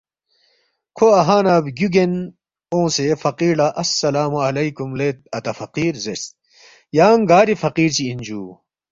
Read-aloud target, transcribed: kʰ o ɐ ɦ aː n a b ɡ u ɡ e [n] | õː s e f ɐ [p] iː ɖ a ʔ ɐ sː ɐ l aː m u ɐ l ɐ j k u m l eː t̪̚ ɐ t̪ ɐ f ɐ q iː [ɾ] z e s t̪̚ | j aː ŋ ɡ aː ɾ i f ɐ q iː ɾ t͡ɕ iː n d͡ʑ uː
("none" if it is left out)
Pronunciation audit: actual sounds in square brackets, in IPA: n, q, ɾ

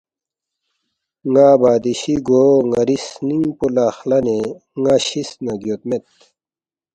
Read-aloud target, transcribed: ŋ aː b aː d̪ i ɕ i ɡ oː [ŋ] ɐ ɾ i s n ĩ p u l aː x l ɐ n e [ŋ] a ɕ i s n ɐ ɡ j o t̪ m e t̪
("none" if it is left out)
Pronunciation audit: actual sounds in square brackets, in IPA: ŋ, ŋ

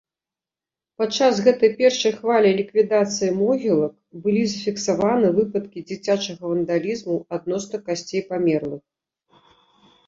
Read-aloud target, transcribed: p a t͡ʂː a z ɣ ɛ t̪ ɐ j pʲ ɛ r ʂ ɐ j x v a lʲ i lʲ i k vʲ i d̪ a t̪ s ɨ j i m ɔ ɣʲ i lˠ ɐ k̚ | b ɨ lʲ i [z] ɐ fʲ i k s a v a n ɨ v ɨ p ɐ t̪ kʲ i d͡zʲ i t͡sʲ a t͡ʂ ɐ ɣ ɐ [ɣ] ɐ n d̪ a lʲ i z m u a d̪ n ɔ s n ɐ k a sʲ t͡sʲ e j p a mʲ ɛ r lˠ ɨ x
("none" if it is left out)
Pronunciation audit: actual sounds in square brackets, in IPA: z, v

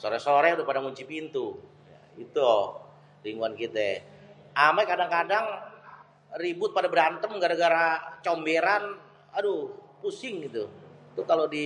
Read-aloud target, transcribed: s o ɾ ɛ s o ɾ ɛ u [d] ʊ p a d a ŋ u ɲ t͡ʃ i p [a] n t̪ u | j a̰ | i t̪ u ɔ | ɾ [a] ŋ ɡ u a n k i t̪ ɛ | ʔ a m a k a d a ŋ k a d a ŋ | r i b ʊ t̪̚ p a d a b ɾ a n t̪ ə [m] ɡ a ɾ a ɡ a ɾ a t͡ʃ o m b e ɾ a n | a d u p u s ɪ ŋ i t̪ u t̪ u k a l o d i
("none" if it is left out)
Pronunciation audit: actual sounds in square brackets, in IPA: d, i, i, m

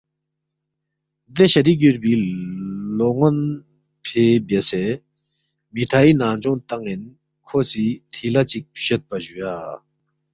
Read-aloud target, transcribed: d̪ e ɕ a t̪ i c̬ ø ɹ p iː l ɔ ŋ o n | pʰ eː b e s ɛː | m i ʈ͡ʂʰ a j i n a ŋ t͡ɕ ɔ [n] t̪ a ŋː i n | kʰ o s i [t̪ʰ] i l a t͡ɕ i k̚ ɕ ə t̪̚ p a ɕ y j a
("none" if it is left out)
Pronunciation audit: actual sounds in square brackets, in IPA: ŋ, t̪ʰ

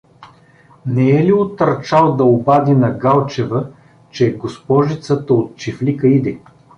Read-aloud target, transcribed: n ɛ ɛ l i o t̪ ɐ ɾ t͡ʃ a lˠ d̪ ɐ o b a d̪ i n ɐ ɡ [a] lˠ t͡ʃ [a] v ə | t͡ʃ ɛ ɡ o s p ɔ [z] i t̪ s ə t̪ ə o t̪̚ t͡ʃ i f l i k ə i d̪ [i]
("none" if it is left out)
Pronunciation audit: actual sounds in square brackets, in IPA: a, ɛ, ʒ, ɛ

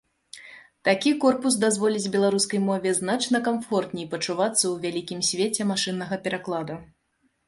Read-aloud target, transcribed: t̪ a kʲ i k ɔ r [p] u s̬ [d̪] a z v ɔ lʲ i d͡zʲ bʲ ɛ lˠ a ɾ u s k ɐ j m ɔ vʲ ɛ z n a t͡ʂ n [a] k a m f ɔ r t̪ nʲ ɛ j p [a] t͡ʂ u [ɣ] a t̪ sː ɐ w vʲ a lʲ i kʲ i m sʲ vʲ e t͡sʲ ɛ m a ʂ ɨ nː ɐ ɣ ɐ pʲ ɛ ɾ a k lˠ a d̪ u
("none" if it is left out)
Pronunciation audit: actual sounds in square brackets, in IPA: p, d̪, ɐ, ɐ, v

